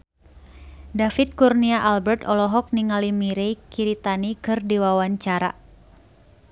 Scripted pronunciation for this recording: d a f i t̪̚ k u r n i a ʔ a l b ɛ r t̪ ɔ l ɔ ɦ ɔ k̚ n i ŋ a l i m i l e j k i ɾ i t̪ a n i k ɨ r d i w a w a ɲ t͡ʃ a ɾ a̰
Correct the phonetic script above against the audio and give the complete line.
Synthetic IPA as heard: d a f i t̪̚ k u r n i a ʔ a l b ɛ r t̪ ɔ l ɔ ɦ ɔ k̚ n i ŋ a l i m i ɾ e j k i ɾ i t̪ a n i k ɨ r d i w a w a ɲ t͡ʃ a ɾ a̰